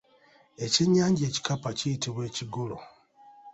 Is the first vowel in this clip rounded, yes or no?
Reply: no